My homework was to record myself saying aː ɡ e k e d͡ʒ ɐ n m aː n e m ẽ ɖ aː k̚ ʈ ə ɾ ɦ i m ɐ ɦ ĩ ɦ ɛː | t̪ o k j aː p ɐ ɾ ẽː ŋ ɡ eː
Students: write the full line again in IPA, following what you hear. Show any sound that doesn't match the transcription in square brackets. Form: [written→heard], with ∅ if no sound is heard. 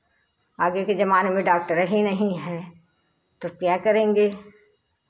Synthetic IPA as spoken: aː ɡ e k e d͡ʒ ɐ [n→∅] m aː n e m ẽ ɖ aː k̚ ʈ ə ɾ ɦ i [m→n] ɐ ɦ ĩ ɦ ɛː | t̪ o k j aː [p→k] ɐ ɾ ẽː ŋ ɡ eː